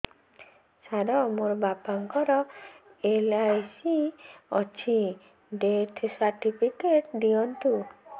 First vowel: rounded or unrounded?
unrounded